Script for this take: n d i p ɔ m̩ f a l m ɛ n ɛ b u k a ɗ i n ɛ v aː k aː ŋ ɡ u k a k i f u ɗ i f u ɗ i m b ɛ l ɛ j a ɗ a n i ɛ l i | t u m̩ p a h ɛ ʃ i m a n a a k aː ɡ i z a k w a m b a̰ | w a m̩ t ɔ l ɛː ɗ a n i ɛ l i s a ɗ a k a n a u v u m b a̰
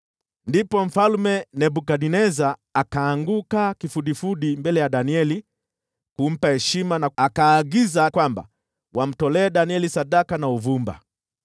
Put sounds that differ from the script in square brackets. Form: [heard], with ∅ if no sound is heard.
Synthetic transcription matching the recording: n d i p ɔ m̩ f a l m ɛ n ɛ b u k a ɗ i n ɛ [z] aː k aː ŋ ɡ u k a k i f u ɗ i f u ɗ i m b ɛ l ɛ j a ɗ a n i ɛ l i | [k] u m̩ p a h ɛ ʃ i m a n a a k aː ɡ i z a k w a m b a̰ | w a m̩ t ɔ l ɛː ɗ a n i ɛ l i s a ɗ a k a n a u v u m b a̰